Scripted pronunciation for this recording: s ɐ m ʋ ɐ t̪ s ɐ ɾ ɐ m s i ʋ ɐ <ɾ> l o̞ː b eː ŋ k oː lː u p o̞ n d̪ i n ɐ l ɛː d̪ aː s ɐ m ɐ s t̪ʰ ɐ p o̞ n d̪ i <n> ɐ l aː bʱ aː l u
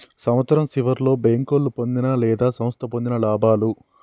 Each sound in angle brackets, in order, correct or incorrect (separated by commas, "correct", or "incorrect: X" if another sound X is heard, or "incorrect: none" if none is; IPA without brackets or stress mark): correct, correct